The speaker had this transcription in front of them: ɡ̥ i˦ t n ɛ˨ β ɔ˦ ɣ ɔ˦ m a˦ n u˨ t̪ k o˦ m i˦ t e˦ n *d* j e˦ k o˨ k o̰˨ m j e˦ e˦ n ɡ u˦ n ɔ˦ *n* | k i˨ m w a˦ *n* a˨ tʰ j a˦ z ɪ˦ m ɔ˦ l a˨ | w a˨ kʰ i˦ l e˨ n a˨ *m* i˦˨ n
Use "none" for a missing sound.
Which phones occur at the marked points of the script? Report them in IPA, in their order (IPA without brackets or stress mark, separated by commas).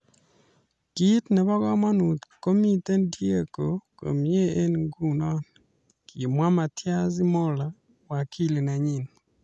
d, n, m, ɲ